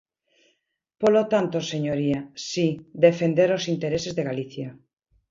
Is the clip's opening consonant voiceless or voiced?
voiceless